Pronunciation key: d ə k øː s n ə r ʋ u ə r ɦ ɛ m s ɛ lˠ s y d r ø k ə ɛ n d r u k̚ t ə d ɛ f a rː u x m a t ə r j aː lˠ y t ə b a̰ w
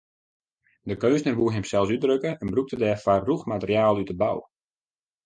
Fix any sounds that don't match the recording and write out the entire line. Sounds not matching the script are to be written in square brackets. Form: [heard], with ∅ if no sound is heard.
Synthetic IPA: d ə k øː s n ə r ʋ u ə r ɦ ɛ m s ɛ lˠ s y d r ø k ə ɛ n [b] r u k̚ t ə d ɛ f a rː u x m a t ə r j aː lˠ y t ə b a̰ w

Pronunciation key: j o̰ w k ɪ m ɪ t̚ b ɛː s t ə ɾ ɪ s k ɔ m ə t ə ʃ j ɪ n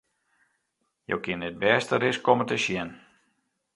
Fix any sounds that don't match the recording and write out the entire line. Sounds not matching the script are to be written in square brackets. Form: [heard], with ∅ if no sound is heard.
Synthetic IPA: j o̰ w k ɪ [n] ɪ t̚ b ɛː s t ə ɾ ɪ s k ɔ m ə t ə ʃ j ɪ n

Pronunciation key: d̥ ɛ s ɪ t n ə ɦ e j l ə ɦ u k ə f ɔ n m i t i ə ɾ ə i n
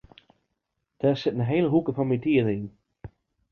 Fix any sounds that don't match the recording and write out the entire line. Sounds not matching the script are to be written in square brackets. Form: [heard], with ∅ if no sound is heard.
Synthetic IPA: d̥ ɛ s ɪ t n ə ɦ e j l ə ɦ u k ə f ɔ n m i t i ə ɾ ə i n

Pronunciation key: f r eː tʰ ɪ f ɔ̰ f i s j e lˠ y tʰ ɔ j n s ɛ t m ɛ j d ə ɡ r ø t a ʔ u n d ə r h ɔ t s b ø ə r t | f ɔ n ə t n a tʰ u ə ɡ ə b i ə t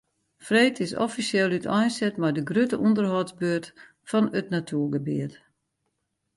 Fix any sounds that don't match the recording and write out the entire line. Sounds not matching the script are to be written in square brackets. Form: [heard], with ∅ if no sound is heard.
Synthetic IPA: f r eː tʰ ɪ [s] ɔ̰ f i s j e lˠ y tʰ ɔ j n s ɛ t m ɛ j d ə ɡ r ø t [ə] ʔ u n d ə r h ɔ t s b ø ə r t | f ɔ n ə t n a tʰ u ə ɡ ə b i ə t

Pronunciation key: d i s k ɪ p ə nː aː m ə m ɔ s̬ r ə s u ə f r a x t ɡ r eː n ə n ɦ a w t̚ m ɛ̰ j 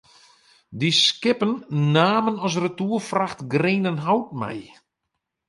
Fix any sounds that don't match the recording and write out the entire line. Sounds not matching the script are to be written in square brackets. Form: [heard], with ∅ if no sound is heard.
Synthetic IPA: d i s k ɪ p ə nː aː m ə [n] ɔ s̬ r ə [t] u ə f r a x t ɡ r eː n ə n ɦ a w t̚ m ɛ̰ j

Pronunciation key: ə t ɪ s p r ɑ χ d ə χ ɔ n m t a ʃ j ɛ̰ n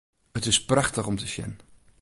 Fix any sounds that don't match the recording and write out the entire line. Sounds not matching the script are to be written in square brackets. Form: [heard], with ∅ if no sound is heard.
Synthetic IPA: ə t ɪ s p r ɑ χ [t] ə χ ɔ [∅] m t [ə] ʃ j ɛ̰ n

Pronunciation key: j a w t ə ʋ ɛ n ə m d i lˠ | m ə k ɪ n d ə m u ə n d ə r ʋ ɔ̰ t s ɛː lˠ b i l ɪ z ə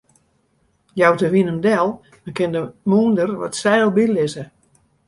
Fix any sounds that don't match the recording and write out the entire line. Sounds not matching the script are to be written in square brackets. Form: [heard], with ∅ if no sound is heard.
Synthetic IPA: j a w t ə ʋ [i] n ə m d [ɛ] lˠ | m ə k ɪ n d ə m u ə n d ə r ʋ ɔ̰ t s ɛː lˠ b i l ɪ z ə

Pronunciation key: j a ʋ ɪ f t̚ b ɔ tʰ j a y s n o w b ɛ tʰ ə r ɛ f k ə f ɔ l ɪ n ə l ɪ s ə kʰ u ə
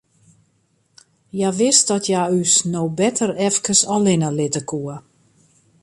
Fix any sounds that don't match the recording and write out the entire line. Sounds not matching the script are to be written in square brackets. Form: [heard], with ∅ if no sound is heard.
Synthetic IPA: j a ʋ ɪ [s] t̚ [d] ɔ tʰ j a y s n o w b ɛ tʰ ə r ɛ f k ə [s] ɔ l ɪ n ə l ɪ [t] ə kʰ u ə

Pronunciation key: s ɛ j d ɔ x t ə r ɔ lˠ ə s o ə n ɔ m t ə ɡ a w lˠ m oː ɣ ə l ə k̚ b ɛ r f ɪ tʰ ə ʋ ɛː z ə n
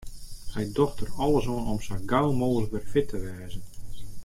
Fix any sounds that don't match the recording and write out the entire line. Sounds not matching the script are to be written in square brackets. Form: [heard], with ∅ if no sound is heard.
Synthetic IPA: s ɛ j d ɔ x t ə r ɔ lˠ ə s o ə n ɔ m [s] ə ɡ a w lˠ m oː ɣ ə l ə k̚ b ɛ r f ɪ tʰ ə ʋ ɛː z ə n

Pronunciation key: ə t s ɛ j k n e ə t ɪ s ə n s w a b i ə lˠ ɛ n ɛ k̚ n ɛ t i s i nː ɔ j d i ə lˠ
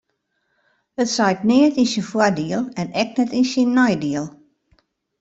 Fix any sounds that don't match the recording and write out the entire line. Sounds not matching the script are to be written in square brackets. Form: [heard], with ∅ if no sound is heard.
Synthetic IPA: ə t s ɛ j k n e ə t [i] s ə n [f] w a [d] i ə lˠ ɛ n ɛ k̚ n ɛ t i s i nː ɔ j d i ə lˠ

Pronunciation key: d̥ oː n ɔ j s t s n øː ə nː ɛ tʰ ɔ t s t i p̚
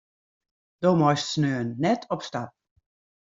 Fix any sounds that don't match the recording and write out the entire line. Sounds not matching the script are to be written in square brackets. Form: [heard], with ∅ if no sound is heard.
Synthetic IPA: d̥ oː [m] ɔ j s t s n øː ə nː ɛ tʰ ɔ [p] s t [a] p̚

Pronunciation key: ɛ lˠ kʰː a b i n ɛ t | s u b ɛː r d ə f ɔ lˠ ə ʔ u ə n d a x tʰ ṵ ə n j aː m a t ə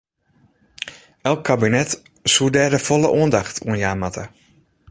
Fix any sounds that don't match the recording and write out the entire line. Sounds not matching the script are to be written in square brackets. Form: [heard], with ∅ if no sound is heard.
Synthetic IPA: ɛ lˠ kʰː a b i n ɛ t | s u [d] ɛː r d ə f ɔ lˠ ə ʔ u ə n d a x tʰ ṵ ə n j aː m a t ə

